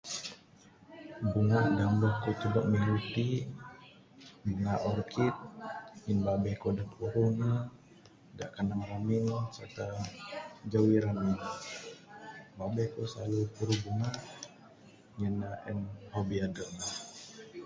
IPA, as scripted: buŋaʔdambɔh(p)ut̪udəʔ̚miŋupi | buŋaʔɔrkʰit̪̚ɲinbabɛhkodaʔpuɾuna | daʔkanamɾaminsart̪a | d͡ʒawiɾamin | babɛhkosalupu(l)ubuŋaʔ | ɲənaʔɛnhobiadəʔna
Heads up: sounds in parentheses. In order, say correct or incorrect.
incorrect: k, incorrect: ɾ

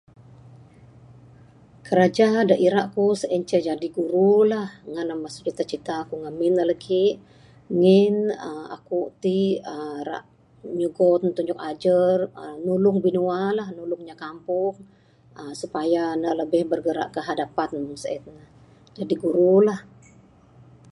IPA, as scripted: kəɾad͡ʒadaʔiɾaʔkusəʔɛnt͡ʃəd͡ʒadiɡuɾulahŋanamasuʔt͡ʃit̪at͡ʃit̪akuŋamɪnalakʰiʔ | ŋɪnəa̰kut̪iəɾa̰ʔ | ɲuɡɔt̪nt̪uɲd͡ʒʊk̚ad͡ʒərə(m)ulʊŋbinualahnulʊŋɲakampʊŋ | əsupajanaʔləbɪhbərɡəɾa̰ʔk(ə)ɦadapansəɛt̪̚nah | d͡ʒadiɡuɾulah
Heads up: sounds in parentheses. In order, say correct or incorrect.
incorrect: n, correct

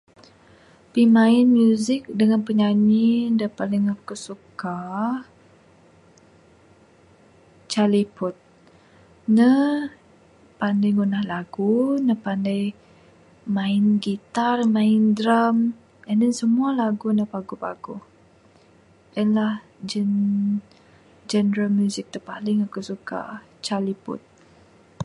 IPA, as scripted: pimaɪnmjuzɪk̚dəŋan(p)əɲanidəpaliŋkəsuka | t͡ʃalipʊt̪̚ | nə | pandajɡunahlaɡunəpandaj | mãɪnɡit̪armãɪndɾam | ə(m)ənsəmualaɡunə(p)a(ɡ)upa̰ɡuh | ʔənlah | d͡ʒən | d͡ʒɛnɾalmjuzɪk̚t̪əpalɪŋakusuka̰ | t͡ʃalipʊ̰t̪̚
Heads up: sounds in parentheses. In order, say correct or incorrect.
correct, incorrect: n, correct, correct

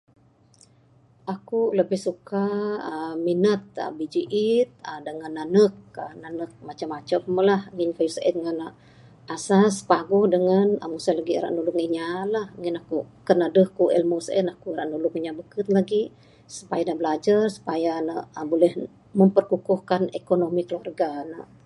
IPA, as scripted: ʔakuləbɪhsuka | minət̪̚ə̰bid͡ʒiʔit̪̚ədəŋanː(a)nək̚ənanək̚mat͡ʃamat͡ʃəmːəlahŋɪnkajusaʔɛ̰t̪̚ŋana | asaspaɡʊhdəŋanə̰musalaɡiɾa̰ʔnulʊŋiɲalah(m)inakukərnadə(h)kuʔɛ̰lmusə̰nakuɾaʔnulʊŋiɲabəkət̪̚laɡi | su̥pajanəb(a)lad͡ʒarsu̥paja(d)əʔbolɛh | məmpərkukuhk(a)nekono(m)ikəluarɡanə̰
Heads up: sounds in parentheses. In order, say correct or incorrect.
correct, incorrect: ŋ, correct, incorrect: ə, incorrect: n, correct, correct

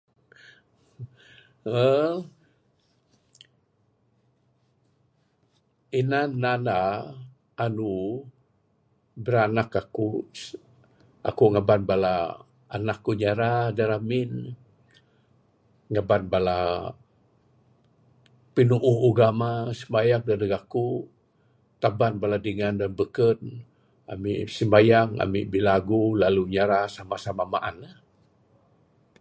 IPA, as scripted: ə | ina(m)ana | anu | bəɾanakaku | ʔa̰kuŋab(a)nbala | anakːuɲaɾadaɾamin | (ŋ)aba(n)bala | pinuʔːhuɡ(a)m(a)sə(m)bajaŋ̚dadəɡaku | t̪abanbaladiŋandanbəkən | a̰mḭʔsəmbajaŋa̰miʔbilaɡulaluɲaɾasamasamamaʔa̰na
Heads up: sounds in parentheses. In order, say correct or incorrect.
incorrect: n, correct, correct, correct, correct, correct, correct

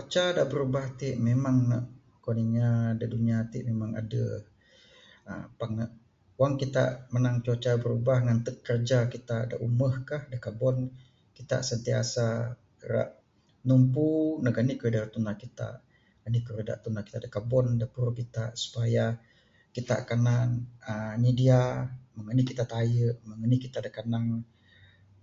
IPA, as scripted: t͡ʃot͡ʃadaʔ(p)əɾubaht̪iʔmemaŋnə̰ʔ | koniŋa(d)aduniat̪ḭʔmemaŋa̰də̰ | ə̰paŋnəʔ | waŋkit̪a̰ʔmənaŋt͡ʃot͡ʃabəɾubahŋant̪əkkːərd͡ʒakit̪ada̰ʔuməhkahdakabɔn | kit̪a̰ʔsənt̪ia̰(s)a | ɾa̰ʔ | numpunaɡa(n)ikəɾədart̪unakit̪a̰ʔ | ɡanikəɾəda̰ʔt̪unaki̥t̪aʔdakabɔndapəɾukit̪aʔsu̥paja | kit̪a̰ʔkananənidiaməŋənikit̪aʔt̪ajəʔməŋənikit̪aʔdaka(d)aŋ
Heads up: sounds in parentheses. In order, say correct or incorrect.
incorrect: b, correct, correct, correct, incorrect: n

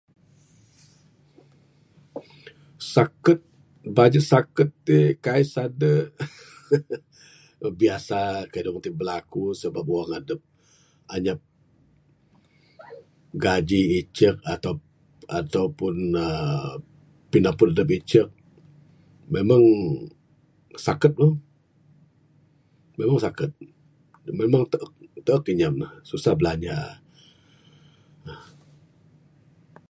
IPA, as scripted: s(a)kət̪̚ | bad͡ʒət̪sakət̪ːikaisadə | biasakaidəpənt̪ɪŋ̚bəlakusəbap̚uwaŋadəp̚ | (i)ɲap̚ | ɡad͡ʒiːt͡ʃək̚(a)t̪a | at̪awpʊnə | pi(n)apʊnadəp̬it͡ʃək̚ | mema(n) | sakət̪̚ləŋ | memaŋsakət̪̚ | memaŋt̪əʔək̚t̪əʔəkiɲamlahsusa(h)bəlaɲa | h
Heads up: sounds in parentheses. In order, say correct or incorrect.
correct, incorrect: a, correct, correct, incorrect: ŋ, correct

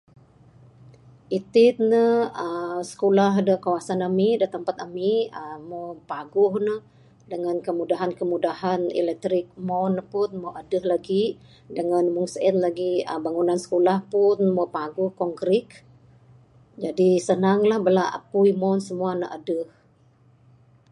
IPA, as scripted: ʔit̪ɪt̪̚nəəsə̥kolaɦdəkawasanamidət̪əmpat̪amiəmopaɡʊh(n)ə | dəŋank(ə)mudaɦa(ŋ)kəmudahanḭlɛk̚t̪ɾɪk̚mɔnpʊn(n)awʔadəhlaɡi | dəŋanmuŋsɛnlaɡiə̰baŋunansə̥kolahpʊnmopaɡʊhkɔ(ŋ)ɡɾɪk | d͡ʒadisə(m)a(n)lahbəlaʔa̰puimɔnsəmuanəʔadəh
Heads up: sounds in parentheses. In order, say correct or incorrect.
correct, correct, incorrect: n, incorrect: m, correct, incorrect: n, incorrect: ŋ

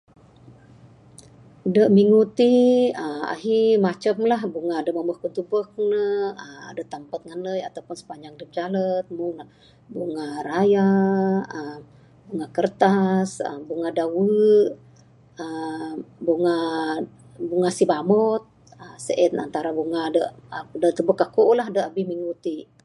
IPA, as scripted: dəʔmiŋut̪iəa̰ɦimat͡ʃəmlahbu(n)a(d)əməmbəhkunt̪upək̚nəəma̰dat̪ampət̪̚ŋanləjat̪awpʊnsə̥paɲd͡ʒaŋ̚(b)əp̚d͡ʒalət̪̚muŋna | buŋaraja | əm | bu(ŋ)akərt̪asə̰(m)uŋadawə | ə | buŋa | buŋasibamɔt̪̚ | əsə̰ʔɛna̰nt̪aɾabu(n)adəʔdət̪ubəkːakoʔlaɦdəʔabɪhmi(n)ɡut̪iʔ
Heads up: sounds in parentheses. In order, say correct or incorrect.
incorrect: ŋ, correct, incorrect: d, correct, incorrect: b, incorrect: ŋ, incorrect: ŋ

